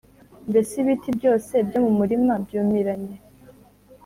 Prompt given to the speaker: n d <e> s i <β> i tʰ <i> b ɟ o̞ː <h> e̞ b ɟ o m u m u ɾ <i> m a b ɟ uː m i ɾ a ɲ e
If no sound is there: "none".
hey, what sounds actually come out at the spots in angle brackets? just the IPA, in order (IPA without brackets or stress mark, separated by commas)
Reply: e, β, i, s, i